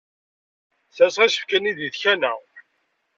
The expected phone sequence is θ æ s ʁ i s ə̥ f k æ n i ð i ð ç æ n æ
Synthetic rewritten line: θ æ s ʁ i s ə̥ f k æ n i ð i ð ç æ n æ